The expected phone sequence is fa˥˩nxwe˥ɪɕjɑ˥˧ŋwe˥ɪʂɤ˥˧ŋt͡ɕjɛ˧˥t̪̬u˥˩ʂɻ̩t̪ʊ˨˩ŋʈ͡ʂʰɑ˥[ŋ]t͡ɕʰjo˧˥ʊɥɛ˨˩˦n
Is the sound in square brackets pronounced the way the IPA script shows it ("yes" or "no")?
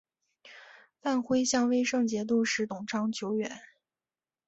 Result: yes